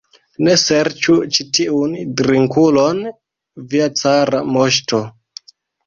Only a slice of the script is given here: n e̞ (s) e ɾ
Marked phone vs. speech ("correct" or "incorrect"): correct